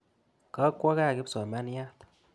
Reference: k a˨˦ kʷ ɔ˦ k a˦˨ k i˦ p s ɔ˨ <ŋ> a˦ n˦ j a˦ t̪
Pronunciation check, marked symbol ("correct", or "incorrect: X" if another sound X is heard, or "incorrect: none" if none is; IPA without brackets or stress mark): incorrect: m